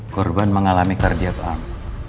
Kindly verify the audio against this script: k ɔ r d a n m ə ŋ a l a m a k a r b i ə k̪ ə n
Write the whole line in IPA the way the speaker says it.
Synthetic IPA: k ɔ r b a n m ə ŋ a l a m i k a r d i a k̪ a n